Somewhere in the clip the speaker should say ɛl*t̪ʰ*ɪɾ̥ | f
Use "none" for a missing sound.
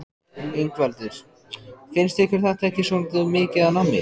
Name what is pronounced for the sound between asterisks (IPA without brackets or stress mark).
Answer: t̪